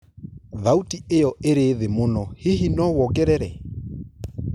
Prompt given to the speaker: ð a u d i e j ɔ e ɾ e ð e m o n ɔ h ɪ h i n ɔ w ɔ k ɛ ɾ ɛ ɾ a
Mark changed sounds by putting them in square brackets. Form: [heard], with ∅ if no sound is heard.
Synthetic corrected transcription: ð a u [t] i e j ɔ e ɾ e ð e m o n ɔ h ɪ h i n ɔ w ɔ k ɛ ɾ ɛ ɾ [ɛ]